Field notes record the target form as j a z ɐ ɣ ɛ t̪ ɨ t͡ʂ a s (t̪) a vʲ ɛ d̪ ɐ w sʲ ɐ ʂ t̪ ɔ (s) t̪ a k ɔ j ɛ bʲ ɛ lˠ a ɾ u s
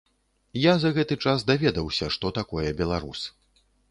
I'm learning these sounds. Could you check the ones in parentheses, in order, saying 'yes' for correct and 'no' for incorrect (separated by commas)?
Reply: no, no